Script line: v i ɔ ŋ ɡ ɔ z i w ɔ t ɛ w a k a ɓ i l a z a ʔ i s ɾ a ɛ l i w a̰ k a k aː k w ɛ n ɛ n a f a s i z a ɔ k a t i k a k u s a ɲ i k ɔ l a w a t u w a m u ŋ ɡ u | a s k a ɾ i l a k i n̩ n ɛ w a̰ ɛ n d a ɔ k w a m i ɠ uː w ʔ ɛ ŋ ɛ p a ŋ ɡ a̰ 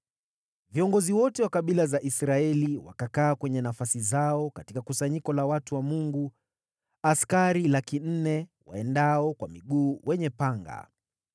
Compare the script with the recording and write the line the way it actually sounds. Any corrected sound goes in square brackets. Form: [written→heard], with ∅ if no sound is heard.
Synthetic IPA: v i ɔ ŋ ɡ ɔ z i w ɔ t ɛ w a k a ɓ i l a z a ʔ i s ɾ a ɛ l i w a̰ k a k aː k w ɛ [n→ɲ] ɛ n a f a s i z a ɔ k a t i k a k u s a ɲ i k ɔ l a w a t u w a m u ŋ ɡ u | a s k a ɾ i l a k i n̩ n ɛ w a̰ ɛ n d a ɔ k w a m i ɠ uː w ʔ ɛ [ŋ→ɲ] ɛ p a ŋ ɡ a̰